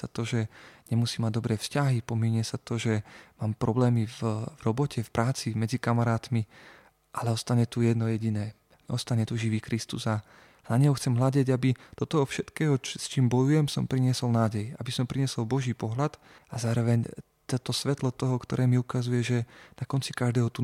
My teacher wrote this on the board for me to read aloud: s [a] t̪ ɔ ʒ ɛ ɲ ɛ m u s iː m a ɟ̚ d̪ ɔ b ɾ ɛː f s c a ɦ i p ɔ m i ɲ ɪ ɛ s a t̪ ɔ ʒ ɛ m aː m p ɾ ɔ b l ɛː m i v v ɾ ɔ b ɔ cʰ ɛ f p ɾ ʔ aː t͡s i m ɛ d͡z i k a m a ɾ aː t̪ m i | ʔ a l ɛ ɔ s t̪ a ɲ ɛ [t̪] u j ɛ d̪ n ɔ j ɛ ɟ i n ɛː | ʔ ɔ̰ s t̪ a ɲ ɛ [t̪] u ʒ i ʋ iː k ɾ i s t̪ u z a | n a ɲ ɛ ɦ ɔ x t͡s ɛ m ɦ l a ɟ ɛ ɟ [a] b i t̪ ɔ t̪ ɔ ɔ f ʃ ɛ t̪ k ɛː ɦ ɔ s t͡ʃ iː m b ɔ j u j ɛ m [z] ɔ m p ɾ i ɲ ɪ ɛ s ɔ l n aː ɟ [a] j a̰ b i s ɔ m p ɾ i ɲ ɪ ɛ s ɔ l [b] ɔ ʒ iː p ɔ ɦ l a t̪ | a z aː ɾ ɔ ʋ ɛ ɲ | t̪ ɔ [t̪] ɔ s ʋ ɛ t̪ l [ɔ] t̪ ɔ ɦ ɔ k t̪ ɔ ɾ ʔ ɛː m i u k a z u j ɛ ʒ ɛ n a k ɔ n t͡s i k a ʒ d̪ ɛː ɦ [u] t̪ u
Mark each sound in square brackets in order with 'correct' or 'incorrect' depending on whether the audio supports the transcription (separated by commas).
correct, correct, correct, correct, incorrect, incorrect, correct, correct, correct, incorrect